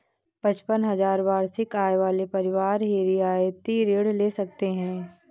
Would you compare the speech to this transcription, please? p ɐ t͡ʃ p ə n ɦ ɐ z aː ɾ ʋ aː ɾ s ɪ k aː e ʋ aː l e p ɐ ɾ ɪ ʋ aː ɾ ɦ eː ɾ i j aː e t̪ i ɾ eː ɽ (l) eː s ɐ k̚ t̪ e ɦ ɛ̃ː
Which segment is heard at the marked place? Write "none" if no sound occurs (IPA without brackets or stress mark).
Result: l